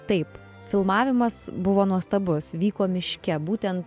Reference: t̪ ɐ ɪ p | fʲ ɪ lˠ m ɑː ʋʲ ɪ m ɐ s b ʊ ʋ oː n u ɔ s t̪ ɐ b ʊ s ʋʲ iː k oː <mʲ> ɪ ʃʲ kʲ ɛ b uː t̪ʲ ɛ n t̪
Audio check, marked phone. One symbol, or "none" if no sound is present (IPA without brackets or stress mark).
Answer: mʲ